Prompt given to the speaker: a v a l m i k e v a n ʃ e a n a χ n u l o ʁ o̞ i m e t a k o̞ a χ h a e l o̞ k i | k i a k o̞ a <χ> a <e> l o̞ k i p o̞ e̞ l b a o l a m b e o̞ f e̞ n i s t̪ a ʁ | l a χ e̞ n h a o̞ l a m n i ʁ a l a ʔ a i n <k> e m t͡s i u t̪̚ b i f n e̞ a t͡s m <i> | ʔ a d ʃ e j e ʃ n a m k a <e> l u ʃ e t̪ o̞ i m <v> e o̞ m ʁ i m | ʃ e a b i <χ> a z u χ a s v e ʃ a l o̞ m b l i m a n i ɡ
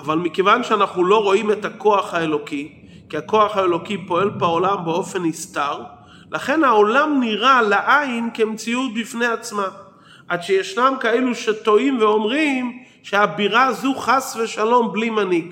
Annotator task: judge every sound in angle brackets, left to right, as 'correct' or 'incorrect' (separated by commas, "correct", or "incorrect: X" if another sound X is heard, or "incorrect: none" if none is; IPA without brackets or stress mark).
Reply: correct, correct, correct, incorrect: a, correct, correct, incorrect: ʁ